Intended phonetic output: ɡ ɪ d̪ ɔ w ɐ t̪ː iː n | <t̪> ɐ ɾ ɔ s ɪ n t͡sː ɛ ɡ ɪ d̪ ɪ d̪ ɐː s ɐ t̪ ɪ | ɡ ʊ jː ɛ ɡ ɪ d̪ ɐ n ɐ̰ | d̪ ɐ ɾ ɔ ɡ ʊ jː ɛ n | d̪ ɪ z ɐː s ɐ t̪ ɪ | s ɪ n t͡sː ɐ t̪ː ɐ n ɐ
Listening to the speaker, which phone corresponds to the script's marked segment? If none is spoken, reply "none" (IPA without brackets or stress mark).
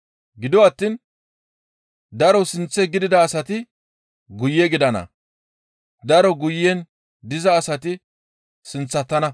d̪